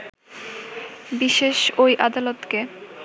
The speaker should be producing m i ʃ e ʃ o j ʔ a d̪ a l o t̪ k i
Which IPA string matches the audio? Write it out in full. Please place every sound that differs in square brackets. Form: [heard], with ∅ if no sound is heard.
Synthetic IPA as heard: [b] i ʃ e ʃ o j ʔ a d̪ a l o t̪ k [e]